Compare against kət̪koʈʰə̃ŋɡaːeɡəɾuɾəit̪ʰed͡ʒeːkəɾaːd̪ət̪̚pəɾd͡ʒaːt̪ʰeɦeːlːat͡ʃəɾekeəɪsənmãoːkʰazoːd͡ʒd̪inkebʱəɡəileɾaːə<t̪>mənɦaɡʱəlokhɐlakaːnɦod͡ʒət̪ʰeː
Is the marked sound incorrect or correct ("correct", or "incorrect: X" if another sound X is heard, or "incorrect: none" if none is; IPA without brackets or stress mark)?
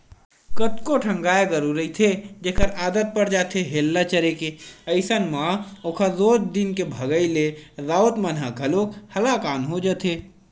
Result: correct